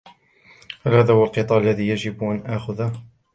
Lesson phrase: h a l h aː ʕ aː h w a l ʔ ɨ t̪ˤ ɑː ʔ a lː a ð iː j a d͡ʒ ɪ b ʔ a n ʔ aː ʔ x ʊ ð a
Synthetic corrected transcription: h a l h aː ð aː h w a l q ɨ t̪ˤ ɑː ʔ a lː a ð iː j a d͡ʒ ɪ b ʔ a n ʔ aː x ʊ ð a